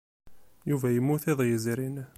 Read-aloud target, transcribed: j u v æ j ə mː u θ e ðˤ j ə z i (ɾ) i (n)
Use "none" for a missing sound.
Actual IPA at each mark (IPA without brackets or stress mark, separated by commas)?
ɾ, n